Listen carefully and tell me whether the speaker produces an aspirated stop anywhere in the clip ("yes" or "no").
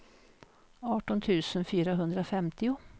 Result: yes